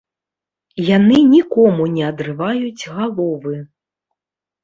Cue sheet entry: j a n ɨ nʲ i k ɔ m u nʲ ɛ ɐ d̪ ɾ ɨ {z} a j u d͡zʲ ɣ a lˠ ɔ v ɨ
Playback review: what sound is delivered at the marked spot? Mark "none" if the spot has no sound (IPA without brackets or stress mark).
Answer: v